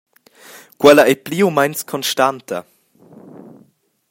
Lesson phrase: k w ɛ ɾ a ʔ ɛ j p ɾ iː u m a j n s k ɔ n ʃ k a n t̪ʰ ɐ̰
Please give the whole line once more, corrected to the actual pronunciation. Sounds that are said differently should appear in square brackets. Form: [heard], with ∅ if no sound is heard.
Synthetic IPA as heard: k w ɛ [l] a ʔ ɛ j p [l] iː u m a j n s [kʰ] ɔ n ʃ [t] a n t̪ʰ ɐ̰